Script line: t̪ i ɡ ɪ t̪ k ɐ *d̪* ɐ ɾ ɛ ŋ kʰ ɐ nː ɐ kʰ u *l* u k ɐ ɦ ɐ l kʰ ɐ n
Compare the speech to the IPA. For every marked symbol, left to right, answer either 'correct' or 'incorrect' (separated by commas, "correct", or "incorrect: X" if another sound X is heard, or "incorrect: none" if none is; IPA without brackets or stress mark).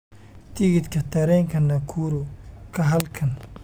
incorrect: t̪, incorrect: ɾ